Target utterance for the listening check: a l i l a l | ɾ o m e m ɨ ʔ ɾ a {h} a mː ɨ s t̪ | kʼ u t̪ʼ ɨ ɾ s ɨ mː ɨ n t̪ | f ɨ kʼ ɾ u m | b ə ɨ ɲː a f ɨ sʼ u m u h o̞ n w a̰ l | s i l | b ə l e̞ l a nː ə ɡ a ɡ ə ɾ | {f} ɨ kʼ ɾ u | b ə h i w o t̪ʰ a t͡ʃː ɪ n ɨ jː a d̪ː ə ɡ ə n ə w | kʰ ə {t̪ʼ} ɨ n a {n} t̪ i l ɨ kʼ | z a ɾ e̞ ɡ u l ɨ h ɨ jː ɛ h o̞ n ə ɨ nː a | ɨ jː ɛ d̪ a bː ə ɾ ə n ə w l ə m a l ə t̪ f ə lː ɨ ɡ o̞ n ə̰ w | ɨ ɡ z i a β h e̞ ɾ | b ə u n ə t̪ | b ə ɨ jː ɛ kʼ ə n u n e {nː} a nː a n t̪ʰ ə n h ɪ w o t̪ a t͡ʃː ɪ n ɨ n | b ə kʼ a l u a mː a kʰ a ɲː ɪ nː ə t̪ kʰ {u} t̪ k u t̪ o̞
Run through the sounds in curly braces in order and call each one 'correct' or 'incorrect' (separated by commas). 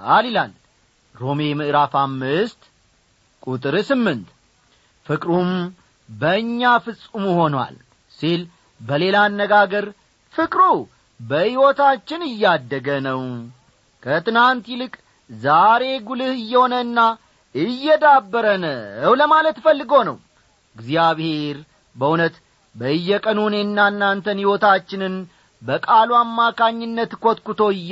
incorrect, correct, incorrect, correct, correct, incorrect